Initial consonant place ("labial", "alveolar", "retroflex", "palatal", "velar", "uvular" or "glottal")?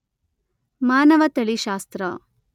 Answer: labial